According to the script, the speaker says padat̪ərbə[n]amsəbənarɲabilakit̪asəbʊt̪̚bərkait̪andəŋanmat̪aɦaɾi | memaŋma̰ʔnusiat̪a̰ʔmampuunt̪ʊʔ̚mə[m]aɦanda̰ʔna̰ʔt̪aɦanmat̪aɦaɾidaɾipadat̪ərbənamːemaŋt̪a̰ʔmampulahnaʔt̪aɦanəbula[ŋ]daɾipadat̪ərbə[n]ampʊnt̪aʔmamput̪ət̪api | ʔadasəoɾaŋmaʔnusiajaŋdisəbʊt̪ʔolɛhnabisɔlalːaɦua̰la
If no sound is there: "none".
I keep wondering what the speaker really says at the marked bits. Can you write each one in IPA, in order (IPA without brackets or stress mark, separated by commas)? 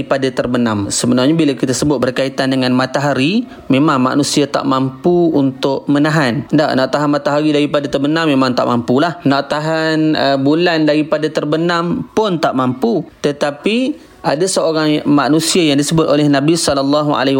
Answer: n, n, n, n